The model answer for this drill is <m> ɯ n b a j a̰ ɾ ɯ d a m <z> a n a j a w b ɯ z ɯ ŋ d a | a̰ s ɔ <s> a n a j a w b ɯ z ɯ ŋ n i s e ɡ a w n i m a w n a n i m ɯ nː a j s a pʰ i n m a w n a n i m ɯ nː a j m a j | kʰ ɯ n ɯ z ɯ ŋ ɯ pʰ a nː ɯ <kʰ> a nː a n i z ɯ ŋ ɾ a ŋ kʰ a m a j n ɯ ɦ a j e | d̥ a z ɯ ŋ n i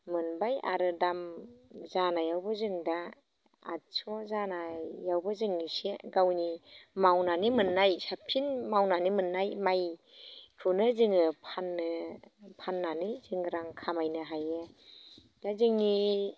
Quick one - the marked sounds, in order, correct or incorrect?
correct, correct, incorrect: z, incorrect: pʰ

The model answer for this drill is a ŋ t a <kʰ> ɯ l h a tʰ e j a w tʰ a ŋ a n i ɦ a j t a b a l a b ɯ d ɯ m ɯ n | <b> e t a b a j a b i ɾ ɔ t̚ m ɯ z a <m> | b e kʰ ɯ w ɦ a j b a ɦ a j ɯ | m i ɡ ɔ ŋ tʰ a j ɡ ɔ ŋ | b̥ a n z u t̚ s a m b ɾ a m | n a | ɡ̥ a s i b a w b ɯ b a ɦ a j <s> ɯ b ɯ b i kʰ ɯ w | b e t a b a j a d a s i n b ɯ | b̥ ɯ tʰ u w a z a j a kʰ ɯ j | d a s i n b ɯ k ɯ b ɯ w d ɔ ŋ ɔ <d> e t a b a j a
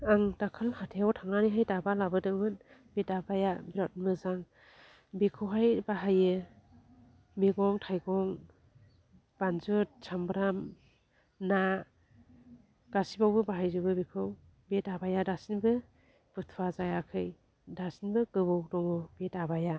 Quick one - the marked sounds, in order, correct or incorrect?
correct, correct, incorrect: ŋ, incorrect: z, incorrect: b

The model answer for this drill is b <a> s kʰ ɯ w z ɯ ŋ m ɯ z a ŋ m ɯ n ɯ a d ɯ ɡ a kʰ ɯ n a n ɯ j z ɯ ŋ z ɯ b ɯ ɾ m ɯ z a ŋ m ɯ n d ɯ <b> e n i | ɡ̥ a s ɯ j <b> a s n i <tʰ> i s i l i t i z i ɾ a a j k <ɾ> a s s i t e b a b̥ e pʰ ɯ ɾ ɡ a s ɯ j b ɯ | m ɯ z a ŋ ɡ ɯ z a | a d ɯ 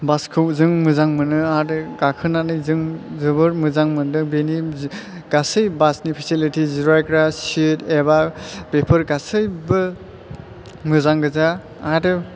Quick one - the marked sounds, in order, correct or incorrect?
correct, correct, correct, incorrect: pʰ, correct

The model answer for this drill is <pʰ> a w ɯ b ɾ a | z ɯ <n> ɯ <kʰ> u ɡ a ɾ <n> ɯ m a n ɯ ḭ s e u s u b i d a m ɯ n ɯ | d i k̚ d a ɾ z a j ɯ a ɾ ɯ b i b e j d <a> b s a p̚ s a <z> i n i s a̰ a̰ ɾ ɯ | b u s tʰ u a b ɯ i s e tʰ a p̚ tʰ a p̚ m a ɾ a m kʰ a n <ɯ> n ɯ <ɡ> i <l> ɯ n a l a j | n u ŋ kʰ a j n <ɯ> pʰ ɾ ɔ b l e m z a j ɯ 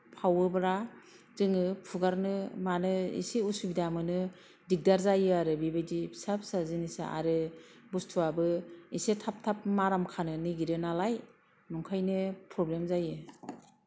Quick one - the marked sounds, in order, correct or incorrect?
correct, incorrect: ŋ, incorrect: pʰ, correct, incorrect: i, correct, correct, correct, incorrect: ɾ, correct

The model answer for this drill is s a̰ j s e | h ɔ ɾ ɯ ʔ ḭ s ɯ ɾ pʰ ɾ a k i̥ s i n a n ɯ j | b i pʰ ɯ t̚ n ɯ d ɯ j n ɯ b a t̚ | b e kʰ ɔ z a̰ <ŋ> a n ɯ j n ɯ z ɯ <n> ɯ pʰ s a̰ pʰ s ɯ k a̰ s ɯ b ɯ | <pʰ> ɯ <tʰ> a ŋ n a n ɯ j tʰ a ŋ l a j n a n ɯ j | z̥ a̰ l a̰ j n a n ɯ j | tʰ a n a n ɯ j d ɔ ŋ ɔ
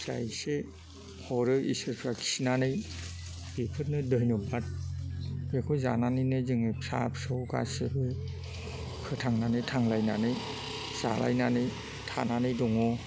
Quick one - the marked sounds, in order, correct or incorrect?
incorrect: n, incorrect: ŋ, incorrect: kʰ, correct

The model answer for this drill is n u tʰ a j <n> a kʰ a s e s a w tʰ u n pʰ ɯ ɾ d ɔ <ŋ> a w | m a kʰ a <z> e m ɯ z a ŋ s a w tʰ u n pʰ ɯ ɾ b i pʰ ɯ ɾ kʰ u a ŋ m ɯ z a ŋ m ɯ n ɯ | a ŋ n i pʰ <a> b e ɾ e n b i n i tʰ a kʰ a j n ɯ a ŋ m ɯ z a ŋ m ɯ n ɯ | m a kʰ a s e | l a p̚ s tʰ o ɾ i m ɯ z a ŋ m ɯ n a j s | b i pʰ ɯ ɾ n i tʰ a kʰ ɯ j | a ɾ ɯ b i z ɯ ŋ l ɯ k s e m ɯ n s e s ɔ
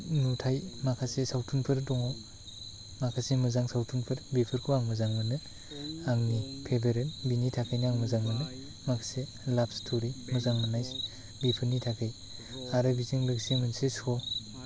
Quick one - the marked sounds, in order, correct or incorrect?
incorrect: m, correct, incorrect: s, incorrect: e

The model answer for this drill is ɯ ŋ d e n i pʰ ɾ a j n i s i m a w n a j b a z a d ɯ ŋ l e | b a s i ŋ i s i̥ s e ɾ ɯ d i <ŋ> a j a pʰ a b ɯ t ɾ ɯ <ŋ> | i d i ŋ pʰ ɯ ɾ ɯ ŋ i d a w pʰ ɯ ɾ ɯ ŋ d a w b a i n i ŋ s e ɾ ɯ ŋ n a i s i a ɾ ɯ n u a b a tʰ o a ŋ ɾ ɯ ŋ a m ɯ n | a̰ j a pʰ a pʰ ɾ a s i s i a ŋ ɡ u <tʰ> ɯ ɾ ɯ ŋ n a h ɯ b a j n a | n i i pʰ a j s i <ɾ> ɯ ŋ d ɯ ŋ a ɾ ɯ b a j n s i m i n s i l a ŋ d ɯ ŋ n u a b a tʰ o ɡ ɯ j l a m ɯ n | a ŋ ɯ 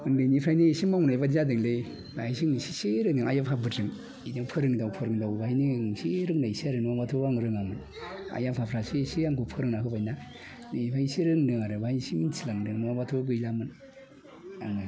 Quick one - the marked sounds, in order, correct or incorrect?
correct, correct, incorrect: pʰ, correct

